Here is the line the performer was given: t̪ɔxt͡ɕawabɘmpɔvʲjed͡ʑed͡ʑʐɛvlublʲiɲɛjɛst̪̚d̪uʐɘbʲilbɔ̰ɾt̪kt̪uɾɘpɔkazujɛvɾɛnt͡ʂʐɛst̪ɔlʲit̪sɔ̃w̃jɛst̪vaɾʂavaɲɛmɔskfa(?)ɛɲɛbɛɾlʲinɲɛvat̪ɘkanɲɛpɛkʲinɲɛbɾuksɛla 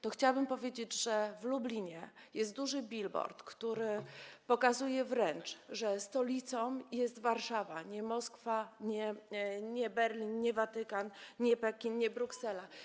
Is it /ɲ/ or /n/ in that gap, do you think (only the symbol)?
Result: ɲ